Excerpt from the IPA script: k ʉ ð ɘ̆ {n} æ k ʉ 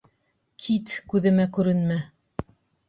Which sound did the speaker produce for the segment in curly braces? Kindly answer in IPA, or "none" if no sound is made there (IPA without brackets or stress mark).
m